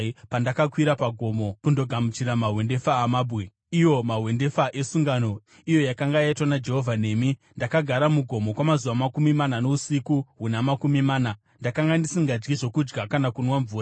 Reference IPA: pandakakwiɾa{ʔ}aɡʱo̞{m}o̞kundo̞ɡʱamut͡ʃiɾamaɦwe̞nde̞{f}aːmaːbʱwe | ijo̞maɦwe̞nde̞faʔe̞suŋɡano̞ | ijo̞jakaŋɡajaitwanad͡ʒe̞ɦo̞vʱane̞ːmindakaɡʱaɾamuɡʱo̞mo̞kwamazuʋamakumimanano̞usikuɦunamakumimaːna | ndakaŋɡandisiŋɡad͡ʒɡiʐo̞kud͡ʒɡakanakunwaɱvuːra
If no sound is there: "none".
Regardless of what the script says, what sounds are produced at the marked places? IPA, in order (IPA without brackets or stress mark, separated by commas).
p, m, f